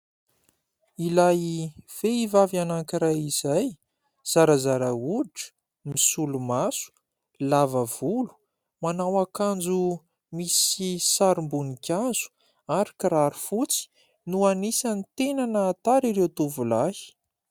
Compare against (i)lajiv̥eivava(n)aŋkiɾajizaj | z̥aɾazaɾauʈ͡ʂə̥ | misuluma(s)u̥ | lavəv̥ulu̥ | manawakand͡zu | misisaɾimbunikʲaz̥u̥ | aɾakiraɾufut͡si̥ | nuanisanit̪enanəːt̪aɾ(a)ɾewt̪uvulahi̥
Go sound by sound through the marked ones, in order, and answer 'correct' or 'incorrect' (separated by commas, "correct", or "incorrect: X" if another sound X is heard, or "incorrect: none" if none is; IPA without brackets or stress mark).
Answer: correct, correct, correct, incorrect: i